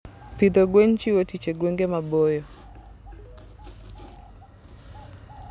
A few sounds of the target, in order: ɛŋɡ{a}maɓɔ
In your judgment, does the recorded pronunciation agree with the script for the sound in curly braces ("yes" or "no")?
no